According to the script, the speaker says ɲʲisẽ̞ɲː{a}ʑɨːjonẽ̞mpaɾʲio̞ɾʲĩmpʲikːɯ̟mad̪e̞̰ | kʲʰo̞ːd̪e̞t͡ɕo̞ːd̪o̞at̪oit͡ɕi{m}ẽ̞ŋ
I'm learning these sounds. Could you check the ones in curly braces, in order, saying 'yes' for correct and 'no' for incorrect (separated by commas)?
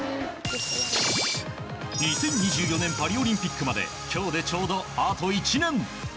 no, no